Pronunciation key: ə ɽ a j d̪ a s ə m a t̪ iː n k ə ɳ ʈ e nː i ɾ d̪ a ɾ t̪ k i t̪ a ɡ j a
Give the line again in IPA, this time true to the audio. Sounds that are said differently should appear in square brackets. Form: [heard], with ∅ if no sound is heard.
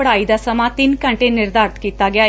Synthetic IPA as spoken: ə ɽ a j d̪ a s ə m a t̪ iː n k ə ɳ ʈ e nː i ɾ d̪ a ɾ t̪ k i t̪ a ɡ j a